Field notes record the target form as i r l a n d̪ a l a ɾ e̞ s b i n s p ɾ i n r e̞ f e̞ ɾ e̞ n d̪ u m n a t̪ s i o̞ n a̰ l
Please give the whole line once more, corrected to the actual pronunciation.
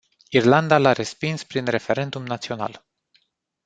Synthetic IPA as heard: i r l a n d̪ a l a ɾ e̞ s p i n s p ɾ i n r e̞ f e̞ ɾ e̞ n d̪ u m n a t̪ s i o̞ n a̰ l